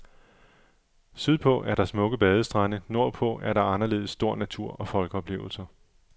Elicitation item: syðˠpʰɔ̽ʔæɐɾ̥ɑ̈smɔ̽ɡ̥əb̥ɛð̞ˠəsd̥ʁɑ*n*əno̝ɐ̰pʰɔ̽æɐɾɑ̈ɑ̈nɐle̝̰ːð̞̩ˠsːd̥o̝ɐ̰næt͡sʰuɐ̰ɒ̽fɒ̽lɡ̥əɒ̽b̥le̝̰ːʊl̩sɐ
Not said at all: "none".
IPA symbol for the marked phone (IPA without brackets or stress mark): n